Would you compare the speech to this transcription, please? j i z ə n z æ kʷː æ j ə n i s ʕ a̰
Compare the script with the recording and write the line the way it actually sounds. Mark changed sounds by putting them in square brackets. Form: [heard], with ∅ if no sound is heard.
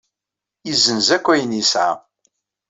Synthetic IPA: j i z ə n z æ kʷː æ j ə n i s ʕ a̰

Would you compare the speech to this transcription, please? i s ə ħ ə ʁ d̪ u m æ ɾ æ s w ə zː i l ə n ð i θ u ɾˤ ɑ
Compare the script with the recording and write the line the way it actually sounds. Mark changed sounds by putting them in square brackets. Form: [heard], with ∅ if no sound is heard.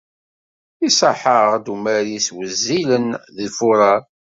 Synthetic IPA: i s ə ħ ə ʁ d̪ u m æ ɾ [i] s w ə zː i l ə n ð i [f] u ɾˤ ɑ

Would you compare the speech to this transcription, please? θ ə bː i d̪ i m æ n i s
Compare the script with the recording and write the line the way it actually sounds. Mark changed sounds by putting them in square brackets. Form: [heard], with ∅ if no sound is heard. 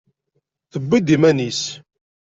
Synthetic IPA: θ ə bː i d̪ i m æ n i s

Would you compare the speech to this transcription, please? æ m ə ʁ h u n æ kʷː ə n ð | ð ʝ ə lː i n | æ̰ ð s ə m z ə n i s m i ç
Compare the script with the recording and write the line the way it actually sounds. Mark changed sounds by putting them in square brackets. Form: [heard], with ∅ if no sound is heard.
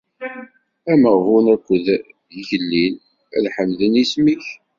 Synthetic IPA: æ m ə ʁ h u n æ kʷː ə [∅] ð | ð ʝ ə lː i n | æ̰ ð [ħ] ə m [ð] ə n i s m i ç

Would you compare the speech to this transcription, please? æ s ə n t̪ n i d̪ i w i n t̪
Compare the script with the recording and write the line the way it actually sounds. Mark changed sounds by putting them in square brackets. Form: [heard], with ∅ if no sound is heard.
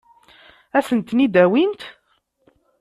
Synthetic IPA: æ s ə n t̪ n i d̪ [æ] w i n t̪

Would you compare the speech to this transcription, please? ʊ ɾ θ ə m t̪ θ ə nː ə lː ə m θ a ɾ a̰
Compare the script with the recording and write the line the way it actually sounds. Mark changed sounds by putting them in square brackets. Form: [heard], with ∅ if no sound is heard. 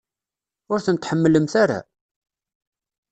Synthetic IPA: ʊ ɾ θ ə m t̪ [ħ] ə [mː] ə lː ə m θ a ɾ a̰

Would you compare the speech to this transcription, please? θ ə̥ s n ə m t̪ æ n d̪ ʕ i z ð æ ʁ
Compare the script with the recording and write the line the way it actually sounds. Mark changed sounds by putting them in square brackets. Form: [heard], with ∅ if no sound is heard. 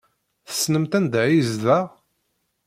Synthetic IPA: θ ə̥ s n ə m t̪ æ n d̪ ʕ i z ð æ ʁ

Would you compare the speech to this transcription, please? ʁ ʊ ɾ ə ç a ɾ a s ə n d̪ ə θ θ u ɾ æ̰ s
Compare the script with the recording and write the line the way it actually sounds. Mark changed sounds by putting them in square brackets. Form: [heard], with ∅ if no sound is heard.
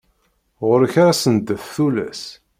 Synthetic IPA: ʁ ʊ ɾ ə ç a ɾ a s ə n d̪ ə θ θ u [l] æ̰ s

